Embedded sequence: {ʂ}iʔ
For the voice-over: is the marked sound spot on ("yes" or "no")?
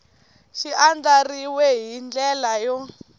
no